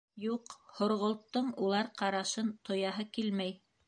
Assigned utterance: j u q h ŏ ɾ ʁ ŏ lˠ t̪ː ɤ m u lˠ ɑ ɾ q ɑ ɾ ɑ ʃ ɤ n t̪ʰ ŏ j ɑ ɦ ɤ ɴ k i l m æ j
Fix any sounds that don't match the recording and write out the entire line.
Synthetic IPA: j u q h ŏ ɾ ʁ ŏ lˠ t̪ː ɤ ɴ u lˠ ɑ ɾ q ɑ ɾ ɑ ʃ ɤ n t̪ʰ ŏ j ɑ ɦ ɤ k i l m æ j